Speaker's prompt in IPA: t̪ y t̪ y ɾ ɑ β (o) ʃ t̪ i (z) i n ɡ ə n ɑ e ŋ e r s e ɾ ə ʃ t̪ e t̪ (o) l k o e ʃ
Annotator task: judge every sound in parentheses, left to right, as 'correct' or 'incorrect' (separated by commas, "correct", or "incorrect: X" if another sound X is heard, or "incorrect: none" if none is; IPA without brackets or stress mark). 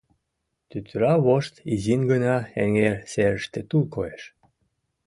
correct, correct, incorrect: u